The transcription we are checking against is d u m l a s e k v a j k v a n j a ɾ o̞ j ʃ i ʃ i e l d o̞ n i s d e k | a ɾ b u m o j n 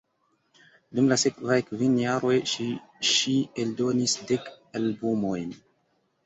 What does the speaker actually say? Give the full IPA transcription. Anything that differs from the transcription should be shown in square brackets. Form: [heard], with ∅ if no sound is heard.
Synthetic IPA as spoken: d u m l a s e k v a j k v [i] n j a ɾ o̞ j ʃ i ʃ i e l d o̞ n i s d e k | a [l] b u m o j n

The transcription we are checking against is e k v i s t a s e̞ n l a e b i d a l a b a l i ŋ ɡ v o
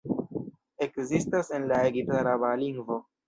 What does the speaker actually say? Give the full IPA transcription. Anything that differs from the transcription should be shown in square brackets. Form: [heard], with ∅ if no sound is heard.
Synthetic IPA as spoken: e k [z] i s t a s e̞ n l a e [ɡ] i [t] a [ɾ] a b a l i ŋ ɡ v o

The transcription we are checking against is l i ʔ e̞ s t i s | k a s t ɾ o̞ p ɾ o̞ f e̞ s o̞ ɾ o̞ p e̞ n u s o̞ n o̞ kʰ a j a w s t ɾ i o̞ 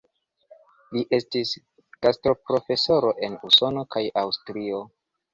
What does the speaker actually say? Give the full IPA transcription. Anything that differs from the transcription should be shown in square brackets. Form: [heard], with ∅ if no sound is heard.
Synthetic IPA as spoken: l i ʔ e̞ s t i s | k a s t ɾ o̞ p ɾ o̞ f e̞ s o̞ ɾ o̞ [ʔ] e̞ n u s o̞ n o̞ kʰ a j a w s t ɾ i o̞

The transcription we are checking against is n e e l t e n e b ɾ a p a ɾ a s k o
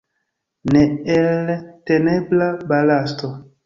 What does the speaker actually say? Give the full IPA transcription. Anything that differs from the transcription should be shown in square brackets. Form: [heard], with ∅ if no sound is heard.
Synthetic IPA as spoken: n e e l t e n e b [l] a [b] a [l] a s [t] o

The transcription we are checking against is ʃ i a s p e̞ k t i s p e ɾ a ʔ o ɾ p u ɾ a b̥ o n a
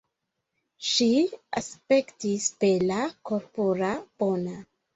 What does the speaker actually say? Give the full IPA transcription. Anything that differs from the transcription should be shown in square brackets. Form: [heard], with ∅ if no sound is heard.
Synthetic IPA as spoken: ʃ i a s p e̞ k t i s p e [l] a [k] o ɾ p [o] ɾ a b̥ o n a

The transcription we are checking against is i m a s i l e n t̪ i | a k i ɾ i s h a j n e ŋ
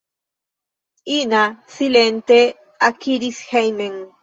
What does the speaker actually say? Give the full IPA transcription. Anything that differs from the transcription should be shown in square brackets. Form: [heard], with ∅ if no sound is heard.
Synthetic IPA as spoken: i [n] a s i l e n t̪ [e] | a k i ɾ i s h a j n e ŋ

